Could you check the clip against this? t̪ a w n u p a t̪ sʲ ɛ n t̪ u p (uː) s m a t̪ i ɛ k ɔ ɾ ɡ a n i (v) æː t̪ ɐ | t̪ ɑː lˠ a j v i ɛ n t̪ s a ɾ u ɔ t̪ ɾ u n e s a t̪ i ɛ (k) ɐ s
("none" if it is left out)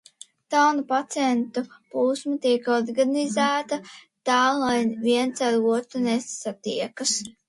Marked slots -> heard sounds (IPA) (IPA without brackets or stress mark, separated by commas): uː, z, k